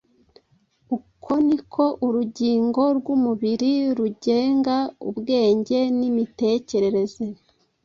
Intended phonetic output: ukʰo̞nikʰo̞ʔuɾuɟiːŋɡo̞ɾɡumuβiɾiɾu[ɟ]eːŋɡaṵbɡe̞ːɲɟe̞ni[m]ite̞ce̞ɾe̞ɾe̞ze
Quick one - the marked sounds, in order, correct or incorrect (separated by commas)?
correct, correct